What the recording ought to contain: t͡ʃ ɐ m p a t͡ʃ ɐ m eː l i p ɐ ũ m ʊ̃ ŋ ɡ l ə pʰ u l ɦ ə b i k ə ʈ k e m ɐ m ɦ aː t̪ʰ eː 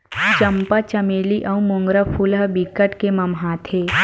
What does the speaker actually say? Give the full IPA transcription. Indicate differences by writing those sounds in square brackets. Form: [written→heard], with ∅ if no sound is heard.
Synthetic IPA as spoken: t͡ʃ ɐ m p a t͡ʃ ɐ m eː l i [p→ʔ] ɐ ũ m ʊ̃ ŋ ɡ [l→ɾ] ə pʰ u l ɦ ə b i k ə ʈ k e m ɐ m ɦ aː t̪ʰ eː